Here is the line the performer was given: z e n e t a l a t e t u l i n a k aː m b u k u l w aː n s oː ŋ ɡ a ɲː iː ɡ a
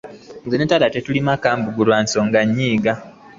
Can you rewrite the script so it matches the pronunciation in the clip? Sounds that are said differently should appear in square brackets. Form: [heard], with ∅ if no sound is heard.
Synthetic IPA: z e n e t a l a t e t u l i [m] a k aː m b u [ɡ] u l w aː n s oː ŋ ɡ a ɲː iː ɡ a